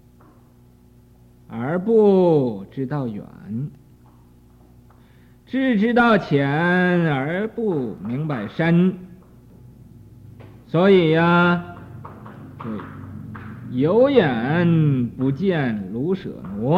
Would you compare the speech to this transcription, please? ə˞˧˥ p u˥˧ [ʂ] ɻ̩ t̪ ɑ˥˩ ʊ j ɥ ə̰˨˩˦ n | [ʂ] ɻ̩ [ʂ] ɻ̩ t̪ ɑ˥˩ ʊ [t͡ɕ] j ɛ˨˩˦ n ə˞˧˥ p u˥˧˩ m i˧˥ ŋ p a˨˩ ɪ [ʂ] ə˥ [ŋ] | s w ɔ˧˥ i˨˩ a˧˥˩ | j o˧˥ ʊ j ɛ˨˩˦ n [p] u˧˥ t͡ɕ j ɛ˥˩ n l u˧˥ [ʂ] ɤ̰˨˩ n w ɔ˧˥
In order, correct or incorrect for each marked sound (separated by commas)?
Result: incorrect, incorrect, incorrect, incorrect, correct, incorrect, correct, correct